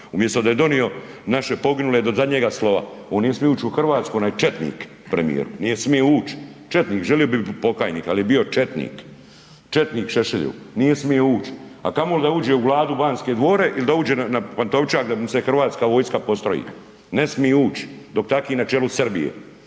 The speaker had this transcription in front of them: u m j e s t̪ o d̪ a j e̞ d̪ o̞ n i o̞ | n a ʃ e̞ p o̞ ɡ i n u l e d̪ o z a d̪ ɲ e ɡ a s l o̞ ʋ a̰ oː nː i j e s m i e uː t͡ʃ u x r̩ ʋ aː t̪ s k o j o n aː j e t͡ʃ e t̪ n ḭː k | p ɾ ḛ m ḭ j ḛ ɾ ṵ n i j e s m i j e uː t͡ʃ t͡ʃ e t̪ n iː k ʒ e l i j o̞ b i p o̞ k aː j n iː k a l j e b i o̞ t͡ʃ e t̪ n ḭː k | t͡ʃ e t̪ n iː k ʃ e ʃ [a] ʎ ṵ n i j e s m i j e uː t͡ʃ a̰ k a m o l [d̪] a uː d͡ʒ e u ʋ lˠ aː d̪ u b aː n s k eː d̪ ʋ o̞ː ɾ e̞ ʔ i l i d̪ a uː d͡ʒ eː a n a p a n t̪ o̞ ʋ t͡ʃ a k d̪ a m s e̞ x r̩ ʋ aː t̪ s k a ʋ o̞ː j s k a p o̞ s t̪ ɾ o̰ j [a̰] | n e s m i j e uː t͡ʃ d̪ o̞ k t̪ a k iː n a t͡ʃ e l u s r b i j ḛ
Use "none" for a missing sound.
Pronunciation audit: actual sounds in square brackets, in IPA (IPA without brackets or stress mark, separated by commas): e, d̪, ḭ